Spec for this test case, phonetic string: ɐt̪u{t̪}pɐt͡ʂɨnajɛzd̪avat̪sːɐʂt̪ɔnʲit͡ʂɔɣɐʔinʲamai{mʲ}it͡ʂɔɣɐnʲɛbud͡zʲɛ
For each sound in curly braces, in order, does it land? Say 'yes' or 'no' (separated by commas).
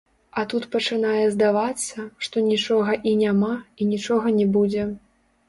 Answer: yes, no